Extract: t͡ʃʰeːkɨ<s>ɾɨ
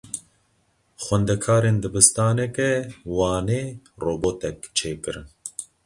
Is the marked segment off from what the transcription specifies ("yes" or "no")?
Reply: yes